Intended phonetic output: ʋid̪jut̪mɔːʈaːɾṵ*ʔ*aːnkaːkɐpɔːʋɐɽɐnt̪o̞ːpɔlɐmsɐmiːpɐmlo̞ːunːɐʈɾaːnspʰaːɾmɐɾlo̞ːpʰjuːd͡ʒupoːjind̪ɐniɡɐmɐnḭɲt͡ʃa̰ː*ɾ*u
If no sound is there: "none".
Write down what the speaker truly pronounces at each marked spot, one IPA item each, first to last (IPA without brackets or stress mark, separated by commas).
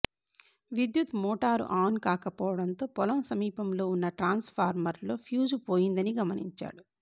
ʔ, ɽ